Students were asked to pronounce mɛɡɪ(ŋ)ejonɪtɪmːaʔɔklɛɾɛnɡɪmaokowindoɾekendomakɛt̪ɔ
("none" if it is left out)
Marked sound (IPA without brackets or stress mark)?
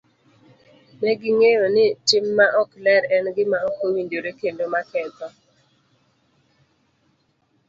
ŋ